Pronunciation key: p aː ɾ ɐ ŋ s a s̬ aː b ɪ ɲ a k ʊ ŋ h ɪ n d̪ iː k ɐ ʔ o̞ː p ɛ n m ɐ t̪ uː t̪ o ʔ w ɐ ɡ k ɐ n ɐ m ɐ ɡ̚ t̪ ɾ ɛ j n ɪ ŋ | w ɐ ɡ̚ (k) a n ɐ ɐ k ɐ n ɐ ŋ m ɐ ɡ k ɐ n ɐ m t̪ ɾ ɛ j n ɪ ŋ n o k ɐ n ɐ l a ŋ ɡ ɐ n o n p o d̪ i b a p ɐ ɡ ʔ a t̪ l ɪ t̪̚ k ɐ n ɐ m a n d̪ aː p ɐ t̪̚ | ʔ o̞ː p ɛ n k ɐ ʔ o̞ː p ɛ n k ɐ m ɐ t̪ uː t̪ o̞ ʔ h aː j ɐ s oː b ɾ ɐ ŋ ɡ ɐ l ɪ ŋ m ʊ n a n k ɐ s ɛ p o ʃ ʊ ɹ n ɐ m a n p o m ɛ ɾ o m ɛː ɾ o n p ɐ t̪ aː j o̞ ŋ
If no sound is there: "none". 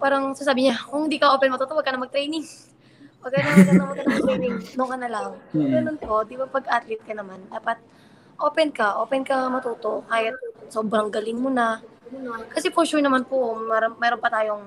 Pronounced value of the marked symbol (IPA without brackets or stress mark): k